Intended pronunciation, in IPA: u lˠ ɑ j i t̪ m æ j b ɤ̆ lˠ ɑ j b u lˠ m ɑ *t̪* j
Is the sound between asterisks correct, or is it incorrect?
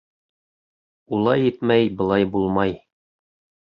incorrect